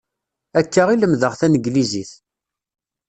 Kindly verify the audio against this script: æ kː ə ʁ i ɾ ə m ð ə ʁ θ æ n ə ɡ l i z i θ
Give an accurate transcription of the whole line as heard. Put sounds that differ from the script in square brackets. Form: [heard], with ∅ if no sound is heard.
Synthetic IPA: æ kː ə ʁ i [l] ə m ð ə ʁ θ æ n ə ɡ l i z i θ